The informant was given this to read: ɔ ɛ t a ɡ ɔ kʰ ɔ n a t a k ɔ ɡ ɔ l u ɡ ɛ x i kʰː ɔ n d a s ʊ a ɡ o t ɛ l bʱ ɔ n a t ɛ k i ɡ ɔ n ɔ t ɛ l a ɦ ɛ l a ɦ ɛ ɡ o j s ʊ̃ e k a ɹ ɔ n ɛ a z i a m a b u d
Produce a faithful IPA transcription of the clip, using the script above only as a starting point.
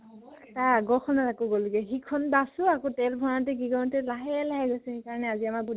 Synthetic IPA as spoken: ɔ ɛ t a ɡ ɔ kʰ ɔ n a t a k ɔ ɡ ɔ l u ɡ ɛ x i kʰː ɔ n b a s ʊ a k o t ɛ l bʱ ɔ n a t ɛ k i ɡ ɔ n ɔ t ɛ l a ɦ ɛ l a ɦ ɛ ɡ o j s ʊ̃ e k a ɹ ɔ n ɛ a z i a m a b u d